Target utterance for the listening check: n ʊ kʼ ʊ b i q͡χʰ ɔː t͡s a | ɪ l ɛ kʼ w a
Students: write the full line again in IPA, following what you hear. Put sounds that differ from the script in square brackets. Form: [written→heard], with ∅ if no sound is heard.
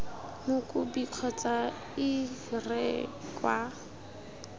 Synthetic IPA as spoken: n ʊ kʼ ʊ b i q͡χʰ [ɔː→ɔ] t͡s a | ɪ [l→r] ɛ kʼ w a